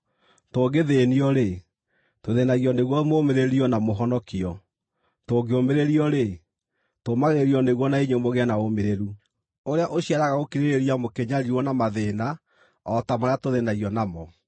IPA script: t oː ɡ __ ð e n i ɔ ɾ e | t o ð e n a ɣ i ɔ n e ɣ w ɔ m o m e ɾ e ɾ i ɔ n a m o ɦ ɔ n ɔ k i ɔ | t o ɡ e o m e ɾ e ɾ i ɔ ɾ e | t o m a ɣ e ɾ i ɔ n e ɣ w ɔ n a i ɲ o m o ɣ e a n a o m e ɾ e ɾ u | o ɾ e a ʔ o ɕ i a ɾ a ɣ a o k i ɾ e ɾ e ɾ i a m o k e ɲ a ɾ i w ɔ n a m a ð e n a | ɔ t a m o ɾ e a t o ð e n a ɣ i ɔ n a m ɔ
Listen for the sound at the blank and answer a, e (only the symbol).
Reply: e